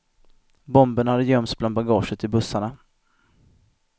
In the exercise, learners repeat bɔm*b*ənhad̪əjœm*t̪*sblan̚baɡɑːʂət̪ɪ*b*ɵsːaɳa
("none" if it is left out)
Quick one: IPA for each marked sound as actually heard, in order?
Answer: b, t̪, b

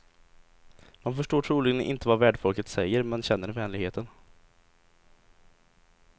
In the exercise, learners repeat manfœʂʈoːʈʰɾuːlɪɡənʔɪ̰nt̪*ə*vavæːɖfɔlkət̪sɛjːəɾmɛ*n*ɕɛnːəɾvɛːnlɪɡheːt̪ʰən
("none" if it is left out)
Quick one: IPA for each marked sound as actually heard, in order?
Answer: ə, n

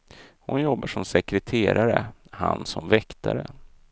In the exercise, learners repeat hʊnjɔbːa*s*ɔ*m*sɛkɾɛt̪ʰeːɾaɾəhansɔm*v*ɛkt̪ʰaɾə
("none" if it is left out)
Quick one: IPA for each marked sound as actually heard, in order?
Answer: ʂ, m, v

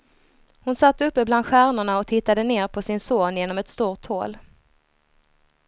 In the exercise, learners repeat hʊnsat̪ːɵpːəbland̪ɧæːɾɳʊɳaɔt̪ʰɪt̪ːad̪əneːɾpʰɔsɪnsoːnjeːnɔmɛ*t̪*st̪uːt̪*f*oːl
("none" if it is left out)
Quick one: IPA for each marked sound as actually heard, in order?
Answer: t̪, h

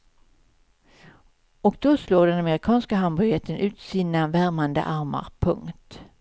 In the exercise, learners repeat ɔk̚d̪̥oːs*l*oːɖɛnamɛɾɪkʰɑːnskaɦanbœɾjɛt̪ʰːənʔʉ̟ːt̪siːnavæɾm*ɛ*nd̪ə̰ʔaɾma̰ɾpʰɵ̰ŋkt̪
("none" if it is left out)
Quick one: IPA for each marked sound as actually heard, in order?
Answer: l, a

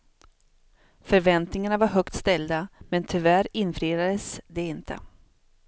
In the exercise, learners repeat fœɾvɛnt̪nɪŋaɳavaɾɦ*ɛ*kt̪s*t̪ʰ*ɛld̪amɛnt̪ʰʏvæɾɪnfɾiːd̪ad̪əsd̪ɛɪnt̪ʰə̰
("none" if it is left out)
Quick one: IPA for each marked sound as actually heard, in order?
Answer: œ, t̪

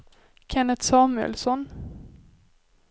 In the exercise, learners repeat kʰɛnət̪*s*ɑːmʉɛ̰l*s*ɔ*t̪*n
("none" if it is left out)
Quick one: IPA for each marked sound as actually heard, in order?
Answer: s, s, none

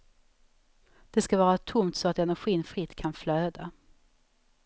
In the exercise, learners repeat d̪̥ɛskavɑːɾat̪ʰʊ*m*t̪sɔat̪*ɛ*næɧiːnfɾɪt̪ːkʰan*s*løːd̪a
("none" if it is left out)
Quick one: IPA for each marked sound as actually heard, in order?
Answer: m, ɛ, f

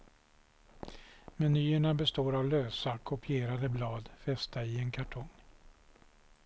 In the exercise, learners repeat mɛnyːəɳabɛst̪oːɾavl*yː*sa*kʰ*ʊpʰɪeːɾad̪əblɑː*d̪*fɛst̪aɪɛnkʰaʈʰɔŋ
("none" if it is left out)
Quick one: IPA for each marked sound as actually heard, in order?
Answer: øː, kʰ, d̪

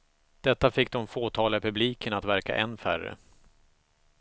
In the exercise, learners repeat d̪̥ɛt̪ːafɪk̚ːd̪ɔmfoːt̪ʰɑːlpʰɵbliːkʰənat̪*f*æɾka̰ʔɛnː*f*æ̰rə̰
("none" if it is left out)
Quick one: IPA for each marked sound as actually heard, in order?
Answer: v, f

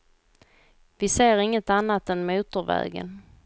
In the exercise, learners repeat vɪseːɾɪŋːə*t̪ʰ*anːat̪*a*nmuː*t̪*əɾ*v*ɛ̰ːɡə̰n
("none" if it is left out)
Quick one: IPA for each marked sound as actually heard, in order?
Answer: t̪, ɛ, t̪, v

